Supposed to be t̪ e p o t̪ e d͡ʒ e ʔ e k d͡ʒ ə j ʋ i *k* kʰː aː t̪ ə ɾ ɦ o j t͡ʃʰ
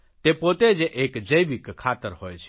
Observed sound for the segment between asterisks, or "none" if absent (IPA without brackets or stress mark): k